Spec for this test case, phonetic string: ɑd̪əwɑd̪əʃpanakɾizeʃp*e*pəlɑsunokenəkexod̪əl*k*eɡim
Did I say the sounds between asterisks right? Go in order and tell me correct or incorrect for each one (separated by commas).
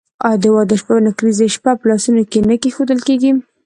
incorrect, correct